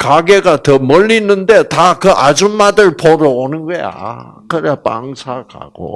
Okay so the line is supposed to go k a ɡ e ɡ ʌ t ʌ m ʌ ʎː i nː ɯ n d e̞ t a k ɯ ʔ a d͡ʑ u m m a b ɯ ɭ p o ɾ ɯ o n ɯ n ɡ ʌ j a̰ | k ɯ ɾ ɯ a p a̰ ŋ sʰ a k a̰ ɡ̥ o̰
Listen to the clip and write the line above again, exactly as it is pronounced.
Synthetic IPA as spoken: k a ɡ e ɡ a t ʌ m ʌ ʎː i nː ɯ n d e̞ t a k ɯ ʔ a d͡ʑ u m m a d ɯ ɭ p o ɾ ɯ o n ɯ n ɡ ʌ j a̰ | k ɯ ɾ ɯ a p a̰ ŋ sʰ a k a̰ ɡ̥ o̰